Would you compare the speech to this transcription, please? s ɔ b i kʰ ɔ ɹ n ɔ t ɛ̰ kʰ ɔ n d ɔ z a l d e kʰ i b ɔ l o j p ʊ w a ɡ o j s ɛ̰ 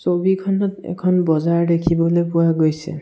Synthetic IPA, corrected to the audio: s o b i kʰ ɔ n ɔ t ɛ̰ kʰ ɔ n b ɔ z a ɹ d e kʰ i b ɔ l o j p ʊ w a ɡ o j s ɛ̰

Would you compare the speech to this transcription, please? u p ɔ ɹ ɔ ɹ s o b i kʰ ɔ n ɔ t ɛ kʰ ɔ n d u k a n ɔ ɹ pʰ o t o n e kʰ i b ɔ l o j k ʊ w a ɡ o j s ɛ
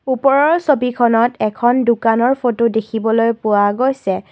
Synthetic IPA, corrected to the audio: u p ɔ ɹ ɔ ɹ s o b i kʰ ɔ n ɔ t ɛ kʰ ɔ n d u k a n ɔ ɹ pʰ o t o d e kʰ i b ɔ l o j p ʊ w a ɡ o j s ɛ

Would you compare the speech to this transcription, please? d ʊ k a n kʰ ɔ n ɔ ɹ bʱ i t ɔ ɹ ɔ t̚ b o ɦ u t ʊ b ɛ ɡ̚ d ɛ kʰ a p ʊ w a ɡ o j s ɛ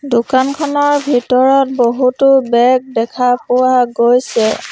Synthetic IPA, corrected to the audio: d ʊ k a n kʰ ɔ n ɔ ɹ bʱ i t ɔ ɹ ɔ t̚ b o ɦ u t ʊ b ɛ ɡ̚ d ɛ kʰ a p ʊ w a ɡ o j s ɛ

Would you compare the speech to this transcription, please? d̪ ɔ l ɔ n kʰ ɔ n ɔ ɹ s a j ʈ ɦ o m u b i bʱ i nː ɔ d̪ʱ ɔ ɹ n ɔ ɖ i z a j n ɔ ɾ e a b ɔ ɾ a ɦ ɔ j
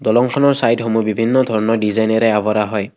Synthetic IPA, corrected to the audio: d̪ ɔ l ɔ ŋ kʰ ɔ n ɔ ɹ s a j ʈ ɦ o m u b i bʱ i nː ɔ d̪ʱ ɔ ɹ n ɔ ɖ i z a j n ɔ ɾ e a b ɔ ɾ a ɦ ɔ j

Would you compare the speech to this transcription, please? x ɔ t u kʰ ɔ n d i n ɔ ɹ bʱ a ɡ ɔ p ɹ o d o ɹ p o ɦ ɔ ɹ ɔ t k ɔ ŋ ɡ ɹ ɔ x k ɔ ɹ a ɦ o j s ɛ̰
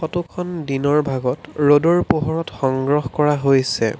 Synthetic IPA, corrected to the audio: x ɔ t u kʰ ɔ n d i n ɔ ɹ bʱ a ɡ ɔ t ɹ o d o ɹ p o ɦ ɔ ɹ ɔ t x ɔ ŋ ɡ ɹ ɔ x k ɔ ɹ a ɦ o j s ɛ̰

